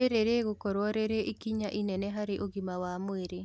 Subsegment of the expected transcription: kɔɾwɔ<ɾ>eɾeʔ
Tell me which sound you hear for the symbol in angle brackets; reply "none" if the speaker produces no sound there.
ɾ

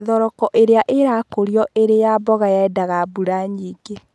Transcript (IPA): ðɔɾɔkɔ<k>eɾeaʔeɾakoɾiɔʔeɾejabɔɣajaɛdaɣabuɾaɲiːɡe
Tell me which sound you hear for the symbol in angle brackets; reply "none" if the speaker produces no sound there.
ʔ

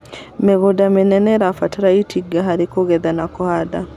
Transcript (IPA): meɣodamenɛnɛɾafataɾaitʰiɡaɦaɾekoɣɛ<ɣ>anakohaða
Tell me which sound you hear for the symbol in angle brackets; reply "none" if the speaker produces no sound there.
ð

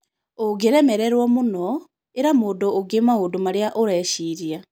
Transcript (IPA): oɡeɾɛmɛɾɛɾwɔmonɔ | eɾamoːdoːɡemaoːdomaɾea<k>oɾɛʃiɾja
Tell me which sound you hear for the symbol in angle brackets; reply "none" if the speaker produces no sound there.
ʔ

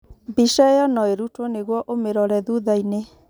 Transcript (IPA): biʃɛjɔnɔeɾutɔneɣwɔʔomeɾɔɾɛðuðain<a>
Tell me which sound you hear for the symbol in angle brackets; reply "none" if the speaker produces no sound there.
e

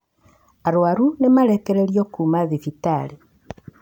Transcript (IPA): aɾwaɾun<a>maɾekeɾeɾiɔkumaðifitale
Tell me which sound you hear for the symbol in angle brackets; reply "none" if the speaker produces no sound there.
e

